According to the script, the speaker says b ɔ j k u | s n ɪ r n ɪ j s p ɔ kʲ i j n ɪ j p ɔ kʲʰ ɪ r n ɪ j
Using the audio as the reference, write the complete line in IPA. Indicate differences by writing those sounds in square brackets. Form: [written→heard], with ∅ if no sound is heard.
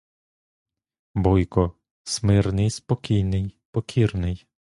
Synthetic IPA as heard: b ɔ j k [u→ɔ] | s [n→m] ɪ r n ɪ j s p ɔ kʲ i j n ɪ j p ɔ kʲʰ [ɪ→i] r n ɪ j